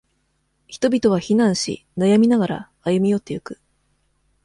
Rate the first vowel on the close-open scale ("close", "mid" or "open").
close